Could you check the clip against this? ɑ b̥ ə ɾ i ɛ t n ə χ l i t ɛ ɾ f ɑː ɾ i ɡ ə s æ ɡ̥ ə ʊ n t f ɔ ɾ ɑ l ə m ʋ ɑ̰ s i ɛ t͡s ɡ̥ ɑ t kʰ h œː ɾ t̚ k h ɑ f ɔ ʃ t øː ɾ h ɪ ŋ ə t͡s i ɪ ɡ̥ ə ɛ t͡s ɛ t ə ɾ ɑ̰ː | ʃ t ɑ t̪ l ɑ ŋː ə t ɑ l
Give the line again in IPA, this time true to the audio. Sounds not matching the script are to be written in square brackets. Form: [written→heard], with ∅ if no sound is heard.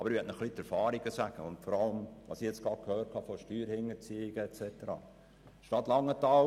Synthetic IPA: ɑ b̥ ə ɾ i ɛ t n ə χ l i t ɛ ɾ f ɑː ɾ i ɡ ə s æ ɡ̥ ə ʊ n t f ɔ ɾ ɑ l ə m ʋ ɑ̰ s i ɛ t͡s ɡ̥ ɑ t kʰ h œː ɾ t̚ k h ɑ f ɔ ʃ t [øː→yː] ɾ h ɪ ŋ ə t͡s i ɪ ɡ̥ ə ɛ t͡s ɛ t ə ɾ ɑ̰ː | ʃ t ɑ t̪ l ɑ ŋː ə t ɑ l